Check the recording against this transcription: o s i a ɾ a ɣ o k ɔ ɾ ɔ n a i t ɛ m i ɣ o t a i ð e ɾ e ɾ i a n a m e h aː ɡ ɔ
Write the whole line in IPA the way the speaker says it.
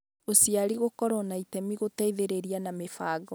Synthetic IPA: o s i a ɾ i ɣ o k ɔ ɾ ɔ n a i t ɛ m i ɣ o t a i ð e ɾ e ɾ i a n a m e f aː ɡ ɔ

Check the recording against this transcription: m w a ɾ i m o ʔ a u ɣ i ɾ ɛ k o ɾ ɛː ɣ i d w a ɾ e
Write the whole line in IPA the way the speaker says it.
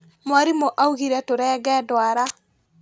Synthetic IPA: m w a ɾ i m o ʔ a u ɣ i ɾ ɛ t o ɾ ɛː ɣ ɛ d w a ɾ a

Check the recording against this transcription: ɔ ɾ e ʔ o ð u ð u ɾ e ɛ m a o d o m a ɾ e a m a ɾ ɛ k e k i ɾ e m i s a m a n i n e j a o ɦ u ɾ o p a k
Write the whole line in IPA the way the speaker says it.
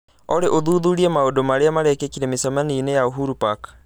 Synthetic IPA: ɔ ɾ e ʔ o ð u ð u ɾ i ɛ m a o d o m a ɾ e a m a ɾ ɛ k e k i ɾ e m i s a m a n i n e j a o ɦ u ɾ u p a k

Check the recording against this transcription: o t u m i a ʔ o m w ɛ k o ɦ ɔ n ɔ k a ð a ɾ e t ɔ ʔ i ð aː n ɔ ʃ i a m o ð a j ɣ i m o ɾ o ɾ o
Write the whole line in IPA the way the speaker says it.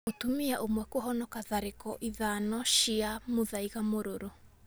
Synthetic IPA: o t u m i a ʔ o m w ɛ k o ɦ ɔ n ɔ k a ð a ɾ e k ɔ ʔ i ð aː n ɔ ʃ i a m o ð a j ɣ a m o ɾ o ɾ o

